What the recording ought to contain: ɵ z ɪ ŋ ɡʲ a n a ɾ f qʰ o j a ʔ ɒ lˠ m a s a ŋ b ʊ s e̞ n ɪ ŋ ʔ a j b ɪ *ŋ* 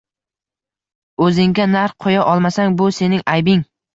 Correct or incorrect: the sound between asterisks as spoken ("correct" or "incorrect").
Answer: correct